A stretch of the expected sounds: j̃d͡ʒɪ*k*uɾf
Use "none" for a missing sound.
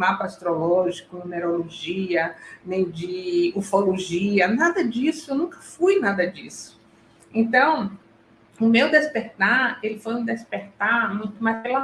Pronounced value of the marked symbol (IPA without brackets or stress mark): none